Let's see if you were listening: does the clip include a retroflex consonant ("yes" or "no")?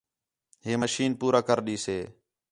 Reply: no